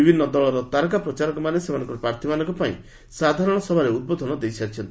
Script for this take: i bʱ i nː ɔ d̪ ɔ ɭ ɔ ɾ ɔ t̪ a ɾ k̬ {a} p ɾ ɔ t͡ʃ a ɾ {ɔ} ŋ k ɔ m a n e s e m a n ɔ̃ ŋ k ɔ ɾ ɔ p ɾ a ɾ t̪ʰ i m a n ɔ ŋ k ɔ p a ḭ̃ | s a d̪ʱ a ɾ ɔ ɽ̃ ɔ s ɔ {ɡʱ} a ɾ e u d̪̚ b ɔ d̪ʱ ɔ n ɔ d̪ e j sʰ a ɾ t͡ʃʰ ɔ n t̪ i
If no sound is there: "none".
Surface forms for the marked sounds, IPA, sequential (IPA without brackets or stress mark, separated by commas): a, ɔ, bʱ